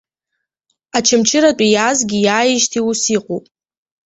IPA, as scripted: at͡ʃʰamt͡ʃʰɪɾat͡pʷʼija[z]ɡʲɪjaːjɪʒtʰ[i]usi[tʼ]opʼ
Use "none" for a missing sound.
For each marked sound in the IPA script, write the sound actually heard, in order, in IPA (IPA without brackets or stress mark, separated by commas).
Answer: z, i, qʼ